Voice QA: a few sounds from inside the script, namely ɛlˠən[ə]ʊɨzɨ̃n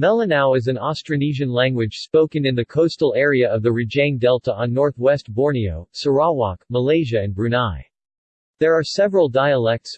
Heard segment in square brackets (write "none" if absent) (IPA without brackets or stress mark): a